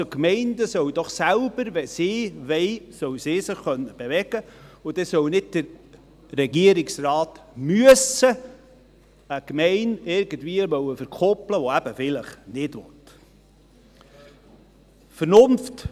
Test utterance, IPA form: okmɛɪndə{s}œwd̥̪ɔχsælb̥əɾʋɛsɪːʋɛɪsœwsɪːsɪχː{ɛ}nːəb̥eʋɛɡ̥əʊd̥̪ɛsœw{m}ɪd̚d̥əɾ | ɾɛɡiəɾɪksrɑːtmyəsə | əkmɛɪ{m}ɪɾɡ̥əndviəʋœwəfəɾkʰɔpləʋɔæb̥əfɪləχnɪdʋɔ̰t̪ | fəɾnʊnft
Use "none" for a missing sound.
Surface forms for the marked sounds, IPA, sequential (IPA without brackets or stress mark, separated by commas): s, œ, n, n